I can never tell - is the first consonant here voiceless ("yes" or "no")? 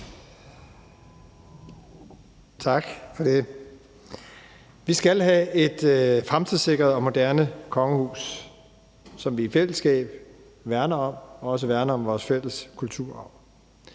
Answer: yes